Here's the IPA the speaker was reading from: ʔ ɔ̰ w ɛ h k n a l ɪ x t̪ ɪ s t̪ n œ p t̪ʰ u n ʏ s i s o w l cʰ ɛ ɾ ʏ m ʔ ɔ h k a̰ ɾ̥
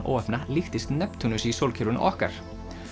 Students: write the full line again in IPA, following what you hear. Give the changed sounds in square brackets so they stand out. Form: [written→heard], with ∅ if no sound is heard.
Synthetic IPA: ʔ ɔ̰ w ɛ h [k→p] n a l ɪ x t̪ ɪ s t̪ n [œ→ɛ] p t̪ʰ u n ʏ s i s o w l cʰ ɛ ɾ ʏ [m→n] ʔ ɔ h k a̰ ɾ̥